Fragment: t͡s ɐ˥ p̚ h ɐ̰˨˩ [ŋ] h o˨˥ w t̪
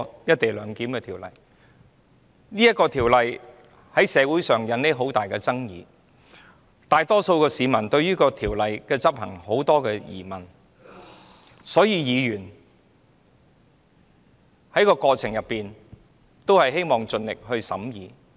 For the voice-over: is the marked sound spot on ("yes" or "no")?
yes